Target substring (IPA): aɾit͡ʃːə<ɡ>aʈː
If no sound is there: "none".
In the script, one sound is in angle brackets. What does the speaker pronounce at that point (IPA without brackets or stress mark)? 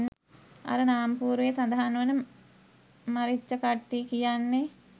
k